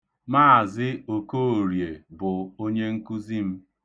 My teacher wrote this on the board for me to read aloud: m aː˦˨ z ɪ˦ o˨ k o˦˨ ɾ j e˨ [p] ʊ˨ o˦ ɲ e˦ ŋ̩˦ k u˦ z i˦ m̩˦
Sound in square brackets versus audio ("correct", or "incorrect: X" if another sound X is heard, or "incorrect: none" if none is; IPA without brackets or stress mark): incorrect: b